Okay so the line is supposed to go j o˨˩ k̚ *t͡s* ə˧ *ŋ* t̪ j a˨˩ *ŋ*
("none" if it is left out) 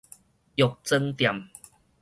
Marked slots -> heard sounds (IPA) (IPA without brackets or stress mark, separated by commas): t͡s, ŋ, m